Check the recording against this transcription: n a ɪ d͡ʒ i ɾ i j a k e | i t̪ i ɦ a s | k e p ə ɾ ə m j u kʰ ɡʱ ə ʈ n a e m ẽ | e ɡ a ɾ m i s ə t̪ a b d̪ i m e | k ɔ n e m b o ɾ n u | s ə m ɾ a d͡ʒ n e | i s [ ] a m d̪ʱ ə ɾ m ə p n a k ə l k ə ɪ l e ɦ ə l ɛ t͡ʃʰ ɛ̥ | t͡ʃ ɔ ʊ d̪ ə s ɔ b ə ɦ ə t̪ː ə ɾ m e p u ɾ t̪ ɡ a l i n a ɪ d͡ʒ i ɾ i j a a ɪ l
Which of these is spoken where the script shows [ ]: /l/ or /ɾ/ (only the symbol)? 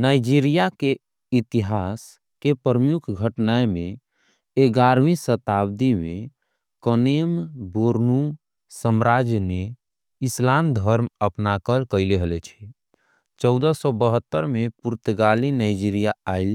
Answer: l